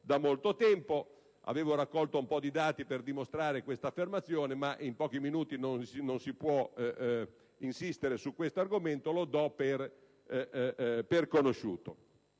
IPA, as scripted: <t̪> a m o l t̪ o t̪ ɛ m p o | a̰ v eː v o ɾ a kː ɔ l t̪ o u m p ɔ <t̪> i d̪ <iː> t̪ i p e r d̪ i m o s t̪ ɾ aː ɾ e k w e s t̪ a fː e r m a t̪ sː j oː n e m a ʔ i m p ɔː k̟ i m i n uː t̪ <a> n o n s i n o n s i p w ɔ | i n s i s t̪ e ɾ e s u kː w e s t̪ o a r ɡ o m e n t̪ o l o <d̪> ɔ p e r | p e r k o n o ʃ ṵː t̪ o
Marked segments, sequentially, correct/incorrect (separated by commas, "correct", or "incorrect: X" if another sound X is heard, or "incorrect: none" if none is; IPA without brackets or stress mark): incorrect: d̪, incorrect: d̪, incorrect: aː, incorrect: i, correct